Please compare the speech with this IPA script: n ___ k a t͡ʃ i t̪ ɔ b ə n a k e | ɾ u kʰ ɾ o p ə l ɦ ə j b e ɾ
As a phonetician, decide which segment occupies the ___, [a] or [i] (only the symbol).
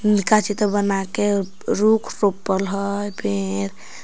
i